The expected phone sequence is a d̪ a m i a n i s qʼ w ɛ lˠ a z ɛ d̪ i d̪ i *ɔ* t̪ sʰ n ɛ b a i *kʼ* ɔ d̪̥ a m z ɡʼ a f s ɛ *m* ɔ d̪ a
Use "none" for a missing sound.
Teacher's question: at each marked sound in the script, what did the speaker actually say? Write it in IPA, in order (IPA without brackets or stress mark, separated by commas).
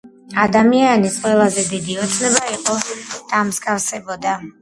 ɔ, qʼ, b